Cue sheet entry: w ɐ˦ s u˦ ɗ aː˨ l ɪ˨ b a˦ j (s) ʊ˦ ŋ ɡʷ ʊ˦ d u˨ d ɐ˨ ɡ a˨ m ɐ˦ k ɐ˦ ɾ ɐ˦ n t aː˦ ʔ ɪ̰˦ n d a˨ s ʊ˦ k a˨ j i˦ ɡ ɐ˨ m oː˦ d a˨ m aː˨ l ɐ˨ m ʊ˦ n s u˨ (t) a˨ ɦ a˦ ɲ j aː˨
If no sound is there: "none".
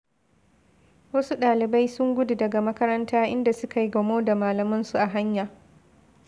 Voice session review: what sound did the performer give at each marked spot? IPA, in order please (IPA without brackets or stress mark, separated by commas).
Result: s, ʔ